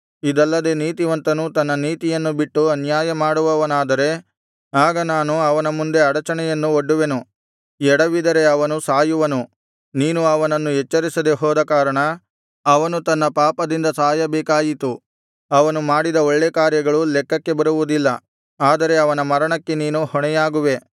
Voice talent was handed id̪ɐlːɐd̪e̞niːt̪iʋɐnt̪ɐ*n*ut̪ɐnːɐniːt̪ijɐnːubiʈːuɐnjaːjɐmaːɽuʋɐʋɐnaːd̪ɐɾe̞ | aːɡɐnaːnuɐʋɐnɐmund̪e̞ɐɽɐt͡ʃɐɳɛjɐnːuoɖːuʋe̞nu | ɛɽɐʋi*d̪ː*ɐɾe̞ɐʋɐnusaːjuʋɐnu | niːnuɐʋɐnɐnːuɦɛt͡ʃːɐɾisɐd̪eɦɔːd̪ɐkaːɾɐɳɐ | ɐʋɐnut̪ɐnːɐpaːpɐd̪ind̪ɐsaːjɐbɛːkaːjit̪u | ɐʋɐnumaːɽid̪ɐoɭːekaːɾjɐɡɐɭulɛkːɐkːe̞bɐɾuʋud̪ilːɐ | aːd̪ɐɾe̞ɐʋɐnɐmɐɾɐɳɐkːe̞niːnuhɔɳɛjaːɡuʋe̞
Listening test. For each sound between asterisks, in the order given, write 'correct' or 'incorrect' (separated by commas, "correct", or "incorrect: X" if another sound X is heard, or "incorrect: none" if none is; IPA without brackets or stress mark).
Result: correct, incorrect: d̪